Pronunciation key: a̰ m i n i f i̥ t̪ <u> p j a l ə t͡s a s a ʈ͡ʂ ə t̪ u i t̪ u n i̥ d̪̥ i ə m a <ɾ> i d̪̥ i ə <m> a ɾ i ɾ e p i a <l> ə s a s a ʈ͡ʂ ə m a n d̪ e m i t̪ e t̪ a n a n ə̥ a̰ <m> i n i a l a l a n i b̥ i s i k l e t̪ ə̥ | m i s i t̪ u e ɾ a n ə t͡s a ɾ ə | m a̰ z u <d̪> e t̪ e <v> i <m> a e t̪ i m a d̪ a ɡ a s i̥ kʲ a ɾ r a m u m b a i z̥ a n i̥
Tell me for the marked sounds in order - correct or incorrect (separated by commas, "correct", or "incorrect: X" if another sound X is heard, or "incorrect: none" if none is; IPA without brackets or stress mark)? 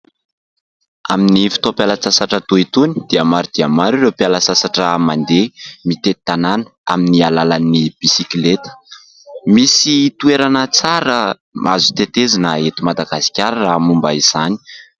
incorrect: o, correct, correct, correct, correct, incorrect: t̪, incorrect: z, incorrect: n